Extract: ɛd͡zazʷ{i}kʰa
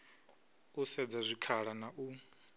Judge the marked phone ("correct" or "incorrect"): correct